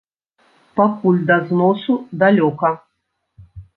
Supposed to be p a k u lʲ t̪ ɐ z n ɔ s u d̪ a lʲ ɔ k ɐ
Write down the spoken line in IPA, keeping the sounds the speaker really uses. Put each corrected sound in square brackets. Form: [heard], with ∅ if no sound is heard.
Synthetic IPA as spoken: p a k u lʲ [d̪] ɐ z n ɔ s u d̪ a lʲ ɔ k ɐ